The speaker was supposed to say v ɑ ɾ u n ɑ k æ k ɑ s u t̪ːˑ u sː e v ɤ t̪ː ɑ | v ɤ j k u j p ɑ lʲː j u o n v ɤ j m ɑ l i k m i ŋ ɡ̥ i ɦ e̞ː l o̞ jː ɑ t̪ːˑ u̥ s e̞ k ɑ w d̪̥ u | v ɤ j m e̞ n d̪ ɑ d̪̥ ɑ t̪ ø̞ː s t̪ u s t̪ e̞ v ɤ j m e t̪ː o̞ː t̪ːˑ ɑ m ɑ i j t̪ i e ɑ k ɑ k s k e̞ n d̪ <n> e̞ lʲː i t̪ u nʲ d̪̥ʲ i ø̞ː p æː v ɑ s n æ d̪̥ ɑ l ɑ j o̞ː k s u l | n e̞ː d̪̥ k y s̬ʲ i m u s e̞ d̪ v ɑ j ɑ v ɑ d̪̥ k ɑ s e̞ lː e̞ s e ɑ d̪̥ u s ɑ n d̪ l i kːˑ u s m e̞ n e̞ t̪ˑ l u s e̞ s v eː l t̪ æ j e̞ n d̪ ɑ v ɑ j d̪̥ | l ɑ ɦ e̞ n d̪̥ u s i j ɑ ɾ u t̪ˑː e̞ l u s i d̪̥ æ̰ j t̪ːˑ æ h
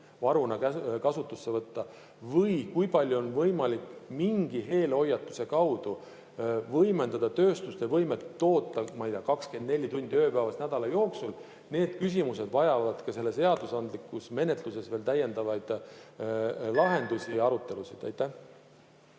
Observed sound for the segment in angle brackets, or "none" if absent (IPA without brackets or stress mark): n